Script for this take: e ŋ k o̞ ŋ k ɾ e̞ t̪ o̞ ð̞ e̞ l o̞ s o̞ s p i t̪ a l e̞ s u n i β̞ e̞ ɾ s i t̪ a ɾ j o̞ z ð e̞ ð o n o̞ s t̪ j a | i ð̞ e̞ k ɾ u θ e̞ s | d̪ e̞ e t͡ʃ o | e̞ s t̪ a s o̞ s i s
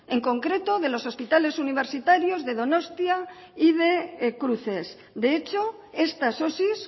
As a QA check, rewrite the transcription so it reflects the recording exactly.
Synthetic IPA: e ŋ k o̞ ŋ k ɾ e̞ t̪ o̞ ð̞ e̞ l o̞ s o̞ s p i t̪ a l e̞ s u n i β̞ e̞ ɾ s i t̪ a ɾ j o̞ z ð e̞ ð o n o̞ s t̪ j a | i ð̞ e̞ k ɾ u θ e̞ s | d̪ e̞ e t͡ʃ o | e̞ s t̪ a s o̞ s i s